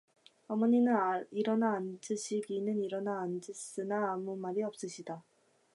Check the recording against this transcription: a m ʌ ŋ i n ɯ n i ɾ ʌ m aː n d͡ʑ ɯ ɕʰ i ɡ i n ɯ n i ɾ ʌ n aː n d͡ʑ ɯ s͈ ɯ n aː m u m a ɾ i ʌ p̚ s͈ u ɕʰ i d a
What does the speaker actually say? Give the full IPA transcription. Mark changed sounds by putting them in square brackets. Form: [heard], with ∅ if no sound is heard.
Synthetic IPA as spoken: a m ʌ [ɲ] i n ɯ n i ɾ ʌ [n] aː n d͡ʑ ɯ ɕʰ i ɡ i n ɯ n i ɾ ʌ n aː n d͡ʑ ɯ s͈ ɯ n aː m u m a ɾ i ʌ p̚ s͈ [ɯ] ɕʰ i d a